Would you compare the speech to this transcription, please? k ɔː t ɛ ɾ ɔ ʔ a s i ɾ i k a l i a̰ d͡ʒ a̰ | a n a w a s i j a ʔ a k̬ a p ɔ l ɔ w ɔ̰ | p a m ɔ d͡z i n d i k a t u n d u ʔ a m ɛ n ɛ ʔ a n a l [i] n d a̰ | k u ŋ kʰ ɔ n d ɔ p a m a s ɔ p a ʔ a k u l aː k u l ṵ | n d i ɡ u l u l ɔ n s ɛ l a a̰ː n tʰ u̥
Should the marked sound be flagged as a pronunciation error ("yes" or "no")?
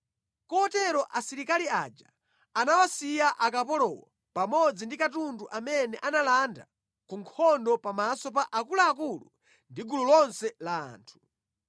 yes